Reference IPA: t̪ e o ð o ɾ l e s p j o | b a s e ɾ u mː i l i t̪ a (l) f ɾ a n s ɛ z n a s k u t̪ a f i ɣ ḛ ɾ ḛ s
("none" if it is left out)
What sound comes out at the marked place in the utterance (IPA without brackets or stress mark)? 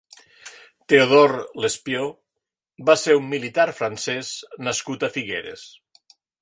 ɾ